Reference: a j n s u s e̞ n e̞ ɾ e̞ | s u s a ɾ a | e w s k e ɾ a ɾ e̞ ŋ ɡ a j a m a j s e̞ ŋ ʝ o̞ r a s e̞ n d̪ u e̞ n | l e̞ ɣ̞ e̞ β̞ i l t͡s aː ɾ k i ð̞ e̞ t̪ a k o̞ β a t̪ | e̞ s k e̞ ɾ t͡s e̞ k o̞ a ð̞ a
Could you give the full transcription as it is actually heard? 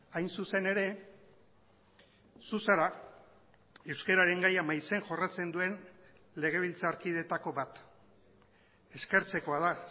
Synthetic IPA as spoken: a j n s u s e̞ n e̞ ɾ e̞ | s u s a ɾ a | e w s k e ɾ a ɾ e̞ ŋ ɡ a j a m a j s e̞ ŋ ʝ o̞ r a t͡s e̞ n d̪ u e̞ n | l e̞ ɣ̞ e̞ β̞ i l t͡s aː ɾ k i ð̞ e̞ t̪ a k o̞ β a t̪ | e̞ s k e̞ ɾ t͡s e̞ k o̞ a ð̞ a